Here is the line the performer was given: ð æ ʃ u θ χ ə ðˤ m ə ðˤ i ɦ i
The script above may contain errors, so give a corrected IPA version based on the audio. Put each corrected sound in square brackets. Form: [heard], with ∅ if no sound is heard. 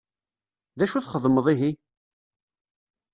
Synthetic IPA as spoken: ð æ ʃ u θ χ ə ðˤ m ə ðˤ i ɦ i